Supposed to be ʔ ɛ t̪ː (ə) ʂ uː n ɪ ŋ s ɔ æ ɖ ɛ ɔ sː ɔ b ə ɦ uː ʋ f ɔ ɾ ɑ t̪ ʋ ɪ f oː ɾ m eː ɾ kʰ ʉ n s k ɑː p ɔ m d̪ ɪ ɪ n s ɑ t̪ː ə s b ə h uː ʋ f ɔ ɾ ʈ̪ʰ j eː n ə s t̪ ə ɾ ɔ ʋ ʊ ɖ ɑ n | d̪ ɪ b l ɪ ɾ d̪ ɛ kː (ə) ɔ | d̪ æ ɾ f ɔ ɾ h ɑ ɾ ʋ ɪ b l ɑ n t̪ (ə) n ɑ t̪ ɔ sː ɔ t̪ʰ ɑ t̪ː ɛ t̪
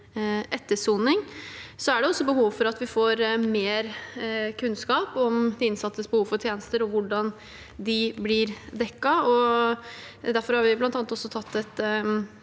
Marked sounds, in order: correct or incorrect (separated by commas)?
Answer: correct, incorrect, incorrect